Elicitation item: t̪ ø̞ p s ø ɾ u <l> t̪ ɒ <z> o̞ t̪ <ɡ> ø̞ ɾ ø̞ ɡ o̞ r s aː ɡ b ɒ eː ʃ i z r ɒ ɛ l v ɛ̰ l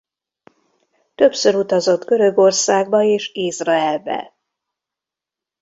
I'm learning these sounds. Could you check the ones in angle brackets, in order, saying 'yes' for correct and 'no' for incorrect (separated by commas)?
no, yes, yes